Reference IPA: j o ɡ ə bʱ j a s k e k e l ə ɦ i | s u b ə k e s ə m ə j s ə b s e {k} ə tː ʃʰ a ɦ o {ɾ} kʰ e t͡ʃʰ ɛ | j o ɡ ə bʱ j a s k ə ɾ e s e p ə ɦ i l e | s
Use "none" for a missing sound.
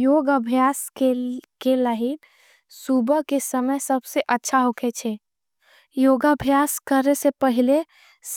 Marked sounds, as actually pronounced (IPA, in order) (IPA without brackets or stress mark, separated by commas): ʔ, none